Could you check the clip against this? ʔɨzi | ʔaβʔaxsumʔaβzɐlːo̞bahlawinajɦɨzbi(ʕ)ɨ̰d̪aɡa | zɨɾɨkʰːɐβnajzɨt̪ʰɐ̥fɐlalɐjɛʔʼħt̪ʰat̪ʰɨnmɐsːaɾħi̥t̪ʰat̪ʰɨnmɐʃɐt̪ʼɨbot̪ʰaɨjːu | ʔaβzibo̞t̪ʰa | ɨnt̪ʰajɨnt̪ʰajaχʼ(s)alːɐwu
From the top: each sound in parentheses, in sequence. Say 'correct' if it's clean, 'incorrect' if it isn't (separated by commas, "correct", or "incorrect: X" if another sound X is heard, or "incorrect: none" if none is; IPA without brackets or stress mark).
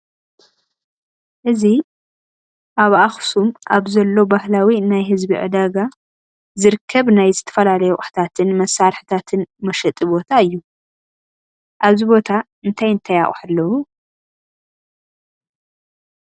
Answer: correct, incorrect: ħ